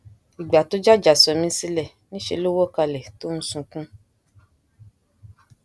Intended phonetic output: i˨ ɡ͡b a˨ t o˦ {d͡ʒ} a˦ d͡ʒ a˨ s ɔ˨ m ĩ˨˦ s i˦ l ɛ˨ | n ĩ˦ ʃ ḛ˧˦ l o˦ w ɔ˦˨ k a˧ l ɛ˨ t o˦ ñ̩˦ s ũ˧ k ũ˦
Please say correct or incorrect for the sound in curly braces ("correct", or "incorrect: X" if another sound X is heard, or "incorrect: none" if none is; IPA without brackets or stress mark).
correct